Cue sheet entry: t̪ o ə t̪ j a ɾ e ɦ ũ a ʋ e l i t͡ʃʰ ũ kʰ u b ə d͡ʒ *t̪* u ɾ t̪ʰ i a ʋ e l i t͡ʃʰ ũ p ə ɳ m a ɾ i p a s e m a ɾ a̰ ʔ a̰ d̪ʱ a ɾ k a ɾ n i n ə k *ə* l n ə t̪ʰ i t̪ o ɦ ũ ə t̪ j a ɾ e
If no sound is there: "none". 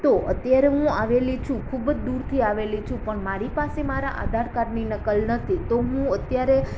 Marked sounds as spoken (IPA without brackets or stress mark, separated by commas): d̪, ə